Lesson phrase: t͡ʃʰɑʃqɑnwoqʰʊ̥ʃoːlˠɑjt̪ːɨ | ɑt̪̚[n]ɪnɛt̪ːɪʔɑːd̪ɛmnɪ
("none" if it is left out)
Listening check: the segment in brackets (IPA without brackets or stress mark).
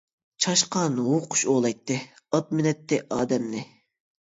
m